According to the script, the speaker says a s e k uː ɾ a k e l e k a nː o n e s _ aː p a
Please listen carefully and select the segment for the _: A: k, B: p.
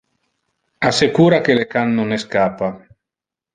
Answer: A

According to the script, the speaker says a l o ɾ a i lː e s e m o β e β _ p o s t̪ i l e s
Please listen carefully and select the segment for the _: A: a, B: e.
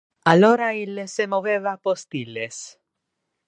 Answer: A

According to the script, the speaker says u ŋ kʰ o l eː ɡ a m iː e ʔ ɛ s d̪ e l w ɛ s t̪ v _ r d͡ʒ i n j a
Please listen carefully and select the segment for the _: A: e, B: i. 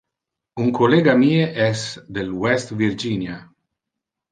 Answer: B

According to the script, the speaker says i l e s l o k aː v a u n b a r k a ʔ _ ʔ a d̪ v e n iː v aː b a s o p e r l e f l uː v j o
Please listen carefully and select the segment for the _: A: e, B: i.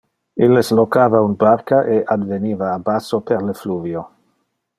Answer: A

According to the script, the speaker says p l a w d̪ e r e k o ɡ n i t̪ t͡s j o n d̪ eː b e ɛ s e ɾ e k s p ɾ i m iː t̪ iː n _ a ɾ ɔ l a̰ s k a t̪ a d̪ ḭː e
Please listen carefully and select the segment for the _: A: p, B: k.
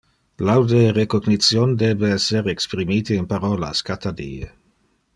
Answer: A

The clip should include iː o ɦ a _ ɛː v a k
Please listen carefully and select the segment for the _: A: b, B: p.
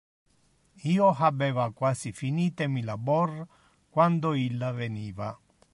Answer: A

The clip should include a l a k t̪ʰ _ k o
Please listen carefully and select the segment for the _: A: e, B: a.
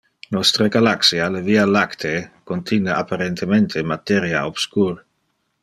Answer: A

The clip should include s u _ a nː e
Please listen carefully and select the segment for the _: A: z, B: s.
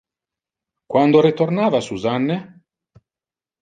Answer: A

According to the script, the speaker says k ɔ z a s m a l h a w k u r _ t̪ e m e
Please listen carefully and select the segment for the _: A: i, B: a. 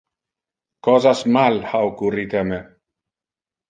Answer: A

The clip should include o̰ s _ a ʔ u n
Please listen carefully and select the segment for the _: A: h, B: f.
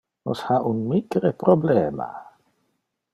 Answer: A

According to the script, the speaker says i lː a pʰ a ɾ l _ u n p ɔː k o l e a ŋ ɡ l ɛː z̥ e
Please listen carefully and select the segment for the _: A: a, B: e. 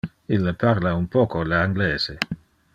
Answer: A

